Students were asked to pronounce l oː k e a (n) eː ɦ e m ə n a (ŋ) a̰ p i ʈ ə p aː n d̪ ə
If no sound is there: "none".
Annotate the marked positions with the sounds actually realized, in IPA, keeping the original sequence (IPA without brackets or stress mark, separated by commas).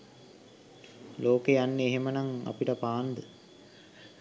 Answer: nː, ŋ